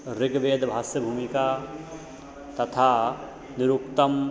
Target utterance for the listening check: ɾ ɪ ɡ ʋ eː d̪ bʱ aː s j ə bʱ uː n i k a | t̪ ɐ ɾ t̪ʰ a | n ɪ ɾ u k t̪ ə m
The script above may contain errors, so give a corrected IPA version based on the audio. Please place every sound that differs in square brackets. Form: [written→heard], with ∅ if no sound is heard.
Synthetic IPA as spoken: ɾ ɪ ɡ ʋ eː d̪ bʱ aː s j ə bʱ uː [n→m] i k a | t̪ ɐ [ɾ→∅] t̪ʰ a | n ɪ ɾ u k t̪ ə m